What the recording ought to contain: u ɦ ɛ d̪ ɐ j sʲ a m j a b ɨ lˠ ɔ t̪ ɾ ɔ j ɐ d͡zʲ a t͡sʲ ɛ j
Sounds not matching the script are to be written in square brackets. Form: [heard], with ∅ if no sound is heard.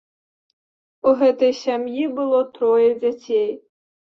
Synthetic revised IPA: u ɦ ɛ [t̪] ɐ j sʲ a m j [i] b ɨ lˠ ɔ t̪ ɾ ɔ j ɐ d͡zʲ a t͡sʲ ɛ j